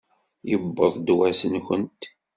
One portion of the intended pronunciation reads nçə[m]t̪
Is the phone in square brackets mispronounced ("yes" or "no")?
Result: yes